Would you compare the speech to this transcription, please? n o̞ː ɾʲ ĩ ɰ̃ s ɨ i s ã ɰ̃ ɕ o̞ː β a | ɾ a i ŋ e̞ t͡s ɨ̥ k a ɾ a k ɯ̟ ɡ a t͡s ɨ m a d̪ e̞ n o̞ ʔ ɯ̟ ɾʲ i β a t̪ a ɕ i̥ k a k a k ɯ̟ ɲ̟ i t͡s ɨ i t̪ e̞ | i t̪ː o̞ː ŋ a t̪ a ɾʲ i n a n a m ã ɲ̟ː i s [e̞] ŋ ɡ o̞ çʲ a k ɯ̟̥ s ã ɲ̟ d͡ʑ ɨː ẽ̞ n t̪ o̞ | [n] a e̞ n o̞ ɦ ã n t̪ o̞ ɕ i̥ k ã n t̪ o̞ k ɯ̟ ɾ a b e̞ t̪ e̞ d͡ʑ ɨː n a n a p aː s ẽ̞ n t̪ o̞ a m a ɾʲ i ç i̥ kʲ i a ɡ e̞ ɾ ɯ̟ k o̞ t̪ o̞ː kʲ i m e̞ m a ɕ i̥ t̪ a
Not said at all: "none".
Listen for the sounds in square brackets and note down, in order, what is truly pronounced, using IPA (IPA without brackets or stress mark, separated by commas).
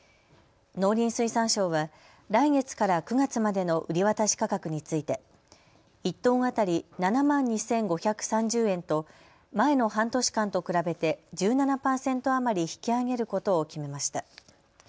ẽ̞, m